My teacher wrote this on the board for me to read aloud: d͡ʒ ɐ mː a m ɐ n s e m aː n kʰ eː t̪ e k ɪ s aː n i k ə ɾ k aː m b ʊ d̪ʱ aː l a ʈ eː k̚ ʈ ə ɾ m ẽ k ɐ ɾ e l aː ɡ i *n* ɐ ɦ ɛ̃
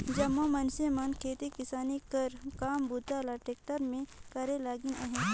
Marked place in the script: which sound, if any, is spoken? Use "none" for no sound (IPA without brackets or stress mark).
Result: n